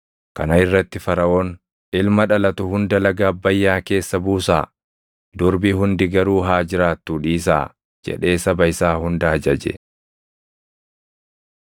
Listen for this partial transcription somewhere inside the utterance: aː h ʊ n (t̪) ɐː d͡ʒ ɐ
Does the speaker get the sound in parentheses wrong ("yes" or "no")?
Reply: yes